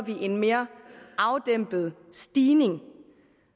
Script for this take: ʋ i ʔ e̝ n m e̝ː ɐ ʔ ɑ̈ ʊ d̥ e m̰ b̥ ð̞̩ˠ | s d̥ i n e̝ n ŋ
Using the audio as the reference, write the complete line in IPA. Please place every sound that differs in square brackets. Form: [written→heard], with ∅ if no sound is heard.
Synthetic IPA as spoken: ʋ i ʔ e̝ n m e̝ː ɐ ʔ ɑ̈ ʊ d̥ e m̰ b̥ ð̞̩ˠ | s d̥ [i→iː] n e̝ [n→∅] ŋ